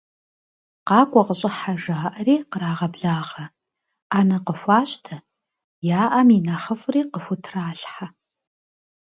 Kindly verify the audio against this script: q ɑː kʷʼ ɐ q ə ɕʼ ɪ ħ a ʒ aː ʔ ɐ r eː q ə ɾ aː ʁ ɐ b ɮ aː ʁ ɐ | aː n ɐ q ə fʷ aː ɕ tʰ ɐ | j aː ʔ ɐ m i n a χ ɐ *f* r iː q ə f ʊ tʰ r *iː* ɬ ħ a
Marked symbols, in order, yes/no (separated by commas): yes, no